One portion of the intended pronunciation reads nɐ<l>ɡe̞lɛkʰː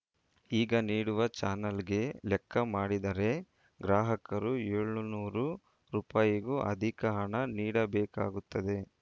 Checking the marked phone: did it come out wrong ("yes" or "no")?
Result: no